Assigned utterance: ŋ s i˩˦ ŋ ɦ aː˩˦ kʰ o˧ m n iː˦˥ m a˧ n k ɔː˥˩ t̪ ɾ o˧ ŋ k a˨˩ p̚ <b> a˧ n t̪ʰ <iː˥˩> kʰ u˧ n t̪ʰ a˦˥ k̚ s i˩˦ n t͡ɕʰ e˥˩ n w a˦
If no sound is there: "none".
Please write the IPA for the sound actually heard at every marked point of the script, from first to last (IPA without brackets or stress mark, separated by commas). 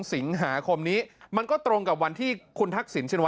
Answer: w, iː˥˩